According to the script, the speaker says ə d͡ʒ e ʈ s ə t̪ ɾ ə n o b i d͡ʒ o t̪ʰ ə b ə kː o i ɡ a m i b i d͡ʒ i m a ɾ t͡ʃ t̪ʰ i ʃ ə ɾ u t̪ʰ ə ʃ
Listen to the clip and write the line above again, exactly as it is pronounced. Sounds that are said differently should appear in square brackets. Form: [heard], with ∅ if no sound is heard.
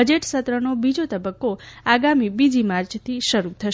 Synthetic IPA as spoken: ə d͡ʒ e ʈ s ə t̪ ɾ ə n o b i d͡ʒ o [t̪] ə b ə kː o [a] ɡ a m i b i d͡ʒ i m a ɾ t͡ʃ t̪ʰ i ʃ ə ɾ u t̪ʰ ə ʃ

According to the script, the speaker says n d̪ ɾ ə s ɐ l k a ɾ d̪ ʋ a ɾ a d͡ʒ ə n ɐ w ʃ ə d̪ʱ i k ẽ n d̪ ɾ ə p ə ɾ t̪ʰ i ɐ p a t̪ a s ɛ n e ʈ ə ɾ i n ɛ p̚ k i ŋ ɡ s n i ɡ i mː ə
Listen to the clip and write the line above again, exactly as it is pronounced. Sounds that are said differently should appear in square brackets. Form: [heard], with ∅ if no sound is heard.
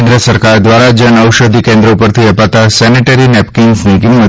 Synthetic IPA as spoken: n d̪ ɾ ə s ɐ [ɾ] k a ɾ d̪ ʋ a ɾ a d͡ʒ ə n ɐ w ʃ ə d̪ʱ i k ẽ n d̪ ɾ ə p ə ɾ t̪ʰ i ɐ p a t̪ a s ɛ n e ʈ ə ɾ i n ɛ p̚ k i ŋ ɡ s n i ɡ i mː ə

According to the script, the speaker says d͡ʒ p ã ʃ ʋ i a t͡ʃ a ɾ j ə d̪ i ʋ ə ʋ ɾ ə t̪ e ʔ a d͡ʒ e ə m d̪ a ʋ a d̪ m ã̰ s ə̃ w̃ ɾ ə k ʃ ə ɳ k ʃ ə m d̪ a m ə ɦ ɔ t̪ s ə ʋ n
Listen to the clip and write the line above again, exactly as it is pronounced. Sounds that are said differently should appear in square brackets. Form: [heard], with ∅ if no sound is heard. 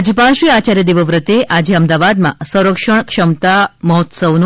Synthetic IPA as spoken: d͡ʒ p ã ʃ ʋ i a t͡ʃ a ɾ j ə d̪ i ʋ ə ʋ ɾ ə t̪ e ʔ a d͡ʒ e ə m d̪ a ʋ a d̪ m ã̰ s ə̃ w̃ ɾ ə k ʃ ə ɳ k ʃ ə m [t̪] a m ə ɦ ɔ t̪ s ə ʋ n

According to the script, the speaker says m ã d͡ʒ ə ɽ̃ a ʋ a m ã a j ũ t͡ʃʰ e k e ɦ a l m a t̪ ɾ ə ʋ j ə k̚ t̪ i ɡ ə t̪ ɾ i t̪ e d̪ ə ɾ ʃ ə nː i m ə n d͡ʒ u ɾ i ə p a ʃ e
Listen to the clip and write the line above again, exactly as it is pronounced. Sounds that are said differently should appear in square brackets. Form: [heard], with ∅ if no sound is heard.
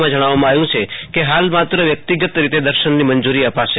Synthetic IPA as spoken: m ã d͡ʒ ə ɽ̃ a ʋ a m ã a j ũ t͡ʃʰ e k e ɦ a l m a t̪ ɾ ə ʋ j ə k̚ t̪ i ɡ ə t̪ ɾ i t̪ e d̪ ə ɾ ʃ ə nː i m ə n d͡ʒ u ɾ i ə p a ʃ e

